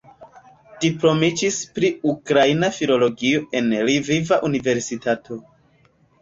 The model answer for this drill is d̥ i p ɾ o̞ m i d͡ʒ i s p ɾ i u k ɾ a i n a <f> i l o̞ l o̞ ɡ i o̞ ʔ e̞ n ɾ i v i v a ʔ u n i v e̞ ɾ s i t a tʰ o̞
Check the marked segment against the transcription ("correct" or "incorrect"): correct